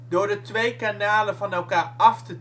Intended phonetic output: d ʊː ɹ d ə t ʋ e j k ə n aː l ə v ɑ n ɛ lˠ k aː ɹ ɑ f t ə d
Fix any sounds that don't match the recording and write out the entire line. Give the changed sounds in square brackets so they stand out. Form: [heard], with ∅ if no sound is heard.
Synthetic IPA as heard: d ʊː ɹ d ə t ʋ e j k [a] n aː l ə v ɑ n ɛ lˠ k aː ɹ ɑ f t ə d